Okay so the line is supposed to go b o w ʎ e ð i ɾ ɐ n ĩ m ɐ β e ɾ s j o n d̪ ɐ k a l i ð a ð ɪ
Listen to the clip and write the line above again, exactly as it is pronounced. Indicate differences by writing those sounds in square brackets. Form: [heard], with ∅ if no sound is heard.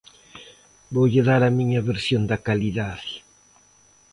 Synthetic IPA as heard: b o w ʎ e ð [a] ɾ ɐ [m] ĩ [ɲ] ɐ β e ɾ s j o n d̪ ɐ k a l i ð a ð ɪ